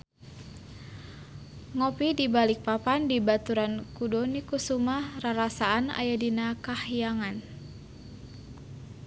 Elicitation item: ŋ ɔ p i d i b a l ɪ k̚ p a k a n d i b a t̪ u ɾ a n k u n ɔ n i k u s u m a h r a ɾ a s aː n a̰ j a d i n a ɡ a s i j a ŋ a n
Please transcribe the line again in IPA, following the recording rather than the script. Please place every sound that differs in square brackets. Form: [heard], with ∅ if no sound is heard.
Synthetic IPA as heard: ŋ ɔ p i d i b a l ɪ k̚ p a [p] a n d i b a t̪ u ɾ a n k u [d] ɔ n i k u s u m a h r a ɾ a s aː n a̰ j a d i n a [k] a [h] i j a ŋ a n